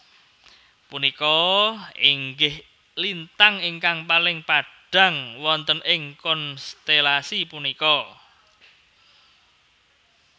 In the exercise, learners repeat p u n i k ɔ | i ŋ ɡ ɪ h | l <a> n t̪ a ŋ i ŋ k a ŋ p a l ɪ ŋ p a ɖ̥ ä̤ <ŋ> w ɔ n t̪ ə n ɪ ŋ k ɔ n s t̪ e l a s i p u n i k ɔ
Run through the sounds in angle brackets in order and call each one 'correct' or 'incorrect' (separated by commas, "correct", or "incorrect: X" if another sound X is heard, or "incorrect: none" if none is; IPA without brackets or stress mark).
incorrect: i, correct